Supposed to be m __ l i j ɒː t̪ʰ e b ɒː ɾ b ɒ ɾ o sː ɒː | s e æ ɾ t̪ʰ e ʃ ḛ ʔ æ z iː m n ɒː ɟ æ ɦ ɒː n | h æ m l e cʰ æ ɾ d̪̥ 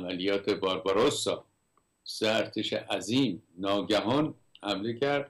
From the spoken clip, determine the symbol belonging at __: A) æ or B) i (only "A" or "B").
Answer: A